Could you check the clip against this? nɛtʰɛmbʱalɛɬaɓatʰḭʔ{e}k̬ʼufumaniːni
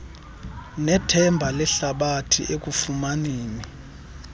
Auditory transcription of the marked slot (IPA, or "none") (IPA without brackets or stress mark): e